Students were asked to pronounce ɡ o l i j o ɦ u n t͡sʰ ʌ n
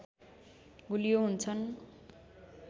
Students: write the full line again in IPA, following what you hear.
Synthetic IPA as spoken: ɡ u l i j o ɦ u n t͡sʰ ʌ n